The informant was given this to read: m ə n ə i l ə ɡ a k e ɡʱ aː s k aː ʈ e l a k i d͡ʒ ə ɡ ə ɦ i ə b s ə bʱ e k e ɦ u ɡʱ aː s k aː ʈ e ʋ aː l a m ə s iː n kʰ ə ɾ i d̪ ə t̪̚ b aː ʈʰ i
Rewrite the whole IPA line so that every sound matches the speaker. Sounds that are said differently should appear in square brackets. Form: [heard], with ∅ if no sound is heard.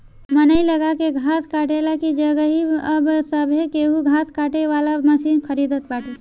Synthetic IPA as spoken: m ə n ə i l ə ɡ a k e ɡʱ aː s k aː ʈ e l a k i d͡ʒ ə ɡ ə ɦ i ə b s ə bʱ e k e ɦ u ɡʱ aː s k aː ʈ e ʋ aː l a m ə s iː n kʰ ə ɾ i d̪ ə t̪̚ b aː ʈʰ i

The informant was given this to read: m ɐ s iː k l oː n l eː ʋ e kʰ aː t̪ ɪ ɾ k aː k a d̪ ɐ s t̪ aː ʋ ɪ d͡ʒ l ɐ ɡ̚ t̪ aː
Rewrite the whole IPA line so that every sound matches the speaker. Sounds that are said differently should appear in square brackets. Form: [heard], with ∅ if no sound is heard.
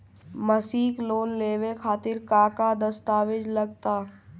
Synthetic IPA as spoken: m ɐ s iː k l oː n l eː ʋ e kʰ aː t̪ ɪ ɾ k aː k a d̪ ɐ s t̪ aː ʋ ɪ d͡ʒ l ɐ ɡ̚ t̪ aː

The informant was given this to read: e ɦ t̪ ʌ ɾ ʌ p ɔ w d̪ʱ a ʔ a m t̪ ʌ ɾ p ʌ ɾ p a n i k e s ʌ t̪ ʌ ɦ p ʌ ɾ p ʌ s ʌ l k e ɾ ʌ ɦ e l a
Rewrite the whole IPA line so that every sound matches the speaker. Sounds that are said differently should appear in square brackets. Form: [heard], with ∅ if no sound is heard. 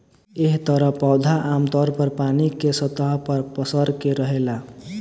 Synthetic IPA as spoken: e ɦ t̪ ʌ ɾ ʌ p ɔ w d̪ʱ a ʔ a m t̪ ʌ ɾ p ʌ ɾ p a n i k e s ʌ t̪ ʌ ɦ p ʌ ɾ p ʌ s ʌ [ɾ] k e ɾ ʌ ɦ e l a

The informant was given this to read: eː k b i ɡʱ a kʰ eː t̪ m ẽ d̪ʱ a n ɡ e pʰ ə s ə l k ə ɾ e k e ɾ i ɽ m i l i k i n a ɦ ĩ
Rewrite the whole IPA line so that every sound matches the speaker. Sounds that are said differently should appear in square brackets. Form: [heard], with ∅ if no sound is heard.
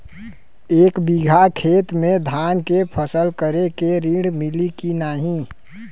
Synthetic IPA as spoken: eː k b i ɡʱ a kʰ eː t̪ m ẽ d̪ʱ a n [k] e pʰ ə s ə l k ə ɾ e k e ɾ i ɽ m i l i k i n a ɦ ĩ

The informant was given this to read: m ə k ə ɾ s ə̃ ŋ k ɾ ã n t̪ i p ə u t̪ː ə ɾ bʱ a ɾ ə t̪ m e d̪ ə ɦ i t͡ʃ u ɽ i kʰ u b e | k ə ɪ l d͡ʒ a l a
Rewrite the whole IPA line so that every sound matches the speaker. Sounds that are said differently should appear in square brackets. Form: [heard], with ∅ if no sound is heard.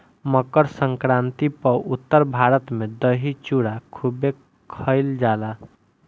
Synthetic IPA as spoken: m ə k ə ɾ s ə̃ ŋ k ɾ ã n t̪ i p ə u t̪ː ə ɾ bʱ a ɾ ə t̪ m e d̪ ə ɦ i t͡ʃ u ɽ [a] kʰ u b e | [kʰ] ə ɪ l d͡ʒ a l a

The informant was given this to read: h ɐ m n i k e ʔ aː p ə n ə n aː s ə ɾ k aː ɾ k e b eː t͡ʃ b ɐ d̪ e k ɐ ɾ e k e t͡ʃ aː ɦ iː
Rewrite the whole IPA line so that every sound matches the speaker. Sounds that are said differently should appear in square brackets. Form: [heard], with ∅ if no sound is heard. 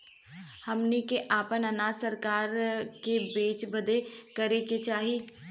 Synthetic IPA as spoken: h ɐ m n i k e ʔ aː p ə n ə n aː s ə ɾ k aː ɾ k e b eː t͡ʃ b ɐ d̪ e k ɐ ɾ e k e t͡ʃ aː ɦ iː

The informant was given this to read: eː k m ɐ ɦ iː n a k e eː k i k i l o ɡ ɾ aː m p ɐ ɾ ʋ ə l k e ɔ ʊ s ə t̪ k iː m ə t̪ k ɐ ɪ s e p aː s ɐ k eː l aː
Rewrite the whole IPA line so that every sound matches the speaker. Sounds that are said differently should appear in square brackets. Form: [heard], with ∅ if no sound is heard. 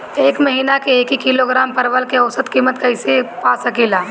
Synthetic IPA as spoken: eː k m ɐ ɦ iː n a k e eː k i k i l o ɡ ɾ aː m p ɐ ɾ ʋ ə l k e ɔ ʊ s ə t̪ k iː m ə t̪ k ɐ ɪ s e p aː s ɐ k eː l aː

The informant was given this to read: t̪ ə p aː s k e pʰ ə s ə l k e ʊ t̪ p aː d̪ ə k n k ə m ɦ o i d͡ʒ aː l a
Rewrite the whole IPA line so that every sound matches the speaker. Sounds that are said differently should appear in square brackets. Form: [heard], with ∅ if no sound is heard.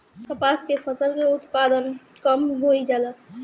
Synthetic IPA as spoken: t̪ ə p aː s k e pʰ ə s ə l k e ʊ t̪ p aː d̪ ə [∅] n k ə m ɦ o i d͡ʒ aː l a

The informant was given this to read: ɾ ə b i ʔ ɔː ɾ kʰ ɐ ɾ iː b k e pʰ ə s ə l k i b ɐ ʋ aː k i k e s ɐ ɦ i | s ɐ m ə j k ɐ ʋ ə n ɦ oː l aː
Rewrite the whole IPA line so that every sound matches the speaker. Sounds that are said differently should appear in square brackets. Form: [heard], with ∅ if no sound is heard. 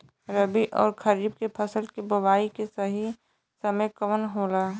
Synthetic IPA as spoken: ɾ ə b i ʔ ɔː ɾ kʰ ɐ ɾ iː b k e pʰ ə s ə l k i b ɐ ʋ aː [∅] i k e s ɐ ɦ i | s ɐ m ə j k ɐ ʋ ə n ɦ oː l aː

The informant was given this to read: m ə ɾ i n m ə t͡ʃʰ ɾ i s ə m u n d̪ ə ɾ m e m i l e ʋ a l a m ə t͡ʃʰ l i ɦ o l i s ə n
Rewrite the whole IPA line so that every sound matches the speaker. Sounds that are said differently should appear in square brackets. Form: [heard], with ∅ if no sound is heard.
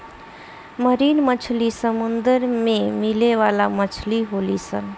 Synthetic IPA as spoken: m ə ɾ i n m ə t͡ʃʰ [l] i s ə m u n d̪ ə ɾ m e m i l e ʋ a l a m ə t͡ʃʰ l i ɦ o l i s ə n

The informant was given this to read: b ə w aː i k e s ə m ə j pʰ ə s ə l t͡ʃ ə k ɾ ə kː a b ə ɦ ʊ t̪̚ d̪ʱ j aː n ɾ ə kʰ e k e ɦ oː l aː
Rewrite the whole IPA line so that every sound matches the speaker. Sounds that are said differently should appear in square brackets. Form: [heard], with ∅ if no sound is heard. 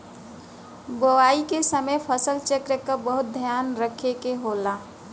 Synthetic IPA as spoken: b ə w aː i k e s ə m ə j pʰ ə s ə l t͡ʃ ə k ɾ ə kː a b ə ɦ ʊ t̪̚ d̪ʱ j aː n ɾ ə kʰ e k e ɦ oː l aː

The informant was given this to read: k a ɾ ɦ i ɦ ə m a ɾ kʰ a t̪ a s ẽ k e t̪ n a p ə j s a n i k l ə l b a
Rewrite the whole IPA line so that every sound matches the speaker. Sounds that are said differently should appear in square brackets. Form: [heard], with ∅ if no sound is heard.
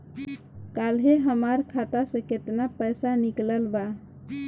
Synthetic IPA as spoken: k a [l] ɦ [e] ɦ ə m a ɾ kʰ a t̪ a s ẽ k e t̪ n a p ə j s a n i k l ə l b a

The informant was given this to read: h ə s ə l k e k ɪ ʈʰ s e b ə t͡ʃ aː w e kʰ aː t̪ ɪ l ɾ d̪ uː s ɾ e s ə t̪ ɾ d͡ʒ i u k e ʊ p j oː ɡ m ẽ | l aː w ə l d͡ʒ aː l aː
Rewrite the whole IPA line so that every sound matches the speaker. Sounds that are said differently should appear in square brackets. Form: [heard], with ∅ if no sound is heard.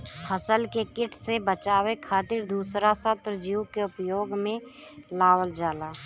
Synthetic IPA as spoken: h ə s ə l k e k ɪ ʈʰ s e b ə t͡ʃ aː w e kʰ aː t̪ ɪ [∅] ɾ d̪ uː s ɾ [a] s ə t̪ ɾ d͡ʒ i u k e ʊ p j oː ɡ m ẽ | l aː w ə l d͡ʒ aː l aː

